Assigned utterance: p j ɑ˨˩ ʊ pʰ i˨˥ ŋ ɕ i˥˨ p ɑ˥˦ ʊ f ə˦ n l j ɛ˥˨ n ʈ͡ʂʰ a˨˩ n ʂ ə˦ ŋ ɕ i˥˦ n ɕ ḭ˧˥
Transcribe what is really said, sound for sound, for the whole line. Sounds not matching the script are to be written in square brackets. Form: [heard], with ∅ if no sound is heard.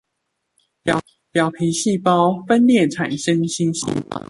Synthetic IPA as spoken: p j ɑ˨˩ ʊ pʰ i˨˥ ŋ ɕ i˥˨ p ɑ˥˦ ʊ f ə˦ n l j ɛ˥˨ n ʈ͡ʂʰ a˨˩ n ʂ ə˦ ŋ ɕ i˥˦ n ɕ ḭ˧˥